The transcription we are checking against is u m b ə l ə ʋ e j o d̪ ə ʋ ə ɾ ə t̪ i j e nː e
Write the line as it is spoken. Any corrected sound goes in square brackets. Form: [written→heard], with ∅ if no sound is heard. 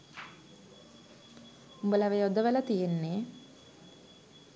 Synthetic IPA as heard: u m b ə l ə ʋ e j o d̪ ə ʋ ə [ɾ→l] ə t̪ i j e nː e